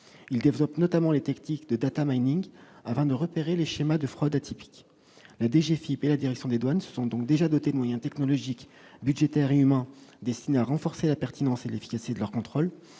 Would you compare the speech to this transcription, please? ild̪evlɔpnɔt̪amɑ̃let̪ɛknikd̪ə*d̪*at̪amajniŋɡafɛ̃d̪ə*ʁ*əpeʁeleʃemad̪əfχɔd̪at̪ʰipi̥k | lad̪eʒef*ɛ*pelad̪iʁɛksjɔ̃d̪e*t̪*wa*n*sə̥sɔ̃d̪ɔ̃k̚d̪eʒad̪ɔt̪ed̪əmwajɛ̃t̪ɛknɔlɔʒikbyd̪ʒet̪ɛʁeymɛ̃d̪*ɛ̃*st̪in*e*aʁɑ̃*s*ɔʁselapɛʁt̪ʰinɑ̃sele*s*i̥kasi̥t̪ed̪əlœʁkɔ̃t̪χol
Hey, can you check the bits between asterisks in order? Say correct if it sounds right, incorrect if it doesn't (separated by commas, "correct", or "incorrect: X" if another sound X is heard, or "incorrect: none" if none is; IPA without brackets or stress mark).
correct, correct, incorrect: i, incorrect: d̪, correct, incorrect: ɛ, correct, incorrect: f, incorrect: f